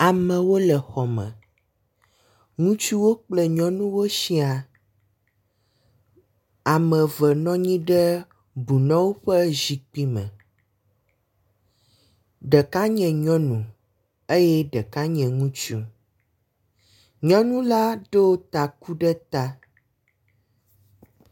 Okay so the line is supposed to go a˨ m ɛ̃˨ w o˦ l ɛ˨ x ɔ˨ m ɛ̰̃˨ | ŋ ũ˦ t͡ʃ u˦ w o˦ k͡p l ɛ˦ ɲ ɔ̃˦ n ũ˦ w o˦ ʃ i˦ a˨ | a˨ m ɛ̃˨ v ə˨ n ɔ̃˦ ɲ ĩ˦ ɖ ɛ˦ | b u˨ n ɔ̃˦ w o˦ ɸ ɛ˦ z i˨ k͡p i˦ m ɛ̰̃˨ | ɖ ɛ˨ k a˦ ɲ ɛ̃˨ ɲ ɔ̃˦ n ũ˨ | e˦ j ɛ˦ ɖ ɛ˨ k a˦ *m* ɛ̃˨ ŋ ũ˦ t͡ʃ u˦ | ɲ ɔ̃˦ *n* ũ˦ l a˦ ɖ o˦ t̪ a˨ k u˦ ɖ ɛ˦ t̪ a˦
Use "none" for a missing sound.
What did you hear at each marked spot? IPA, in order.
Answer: ɲ, n

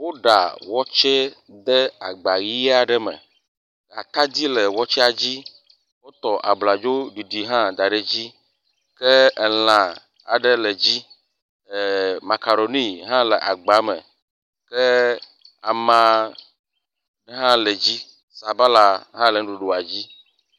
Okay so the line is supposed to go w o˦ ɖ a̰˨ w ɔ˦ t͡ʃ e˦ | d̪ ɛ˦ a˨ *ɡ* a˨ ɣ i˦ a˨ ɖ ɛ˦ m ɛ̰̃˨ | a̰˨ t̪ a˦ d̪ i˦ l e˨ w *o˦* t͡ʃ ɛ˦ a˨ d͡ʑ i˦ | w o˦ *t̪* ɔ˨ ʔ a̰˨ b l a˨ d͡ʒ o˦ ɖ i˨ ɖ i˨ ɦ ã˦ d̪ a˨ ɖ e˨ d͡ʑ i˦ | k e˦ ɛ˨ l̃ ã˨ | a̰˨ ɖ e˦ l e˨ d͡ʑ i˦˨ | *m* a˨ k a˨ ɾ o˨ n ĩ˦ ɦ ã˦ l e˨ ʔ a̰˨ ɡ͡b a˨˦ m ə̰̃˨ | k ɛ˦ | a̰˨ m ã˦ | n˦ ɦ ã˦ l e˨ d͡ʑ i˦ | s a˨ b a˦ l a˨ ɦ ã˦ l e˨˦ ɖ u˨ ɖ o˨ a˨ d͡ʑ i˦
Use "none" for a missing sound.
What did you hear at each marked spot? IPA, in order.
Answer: ɡ͡b, ɔ˦, t̪, m

